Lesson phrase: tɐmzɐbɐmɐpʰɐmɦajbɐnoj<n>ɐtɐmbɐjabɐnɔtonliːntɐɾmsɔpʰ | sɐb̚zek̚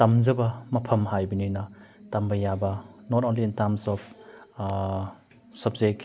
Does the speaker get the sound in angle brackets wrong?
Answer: no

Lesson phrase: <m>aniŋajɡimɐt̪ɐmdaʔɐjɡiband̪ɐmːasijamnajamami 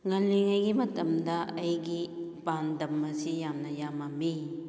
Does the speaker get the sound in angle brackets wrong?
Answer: yes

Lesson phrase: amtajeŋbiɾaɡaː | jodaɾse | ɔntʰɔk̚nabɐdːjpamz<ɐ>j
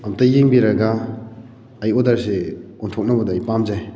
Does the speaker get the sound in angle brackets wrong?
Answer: yes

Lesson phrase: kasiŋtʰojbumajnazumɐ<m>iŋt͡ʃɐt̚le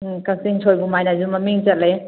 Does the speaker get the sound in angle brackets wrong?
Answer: no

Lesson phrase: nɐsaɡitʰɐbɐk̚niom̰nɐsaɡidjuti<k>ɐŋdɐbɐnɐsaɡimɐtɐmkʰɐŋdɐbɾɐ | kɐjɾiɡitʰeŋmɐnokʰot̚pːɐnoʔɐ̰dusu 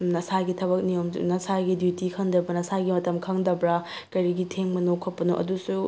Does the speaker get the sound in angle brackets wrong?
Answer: yes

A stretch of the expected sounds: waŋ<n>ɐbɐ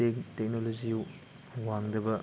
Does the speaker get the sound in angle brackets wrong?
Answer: yes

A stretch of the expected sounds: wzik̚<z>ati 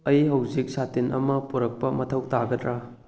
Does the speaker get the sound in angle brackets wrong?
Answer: yes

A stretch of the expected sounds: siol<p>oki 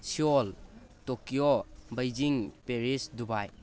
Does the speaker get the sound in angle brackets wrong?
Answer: yes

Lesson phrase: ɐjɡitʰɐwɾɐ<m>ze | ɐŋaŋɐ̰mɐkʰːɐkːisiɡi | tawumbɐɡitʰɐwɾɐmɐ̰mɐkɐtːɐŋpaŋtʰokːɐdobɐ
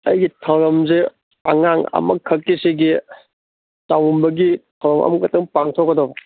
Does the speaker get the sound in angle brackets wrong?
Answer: no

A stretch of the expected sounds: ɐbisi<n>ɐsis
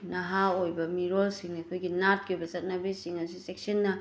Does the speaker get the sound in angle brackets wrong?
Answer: yes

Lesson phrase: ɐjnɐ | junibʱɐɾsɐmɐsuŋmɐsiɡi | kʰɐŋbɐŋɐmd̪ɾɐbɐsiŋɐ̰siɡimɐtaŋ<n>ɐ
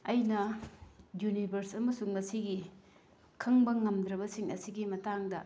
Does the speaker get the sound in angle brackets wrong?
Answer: yes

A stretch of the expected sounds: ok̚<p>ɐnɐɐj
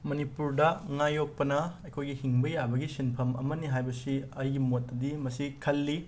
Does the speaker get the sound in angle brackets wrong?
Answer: no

